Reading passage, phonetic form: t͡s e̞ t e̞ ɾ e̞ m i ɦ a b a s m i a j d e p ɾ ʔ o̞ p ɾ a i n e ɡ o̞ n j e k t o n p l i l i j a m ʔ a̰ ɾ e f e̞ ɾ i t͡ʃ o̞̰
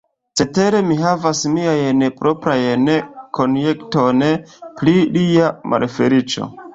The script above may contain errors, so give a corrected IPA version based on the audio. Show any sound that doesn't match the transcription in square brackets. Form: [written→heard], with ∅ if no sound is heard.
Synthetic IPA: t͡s e̞ t e̞ ɾ e̞ m i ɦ a [b→v] a s m i a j [d→n] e p ɾ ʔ o̞ p ɾ a [i→j] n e [ɡ→k] o̞ n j e k t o n p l i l i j a m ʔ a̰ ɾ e f e̞ ɾ i t͡ʃ o̞̰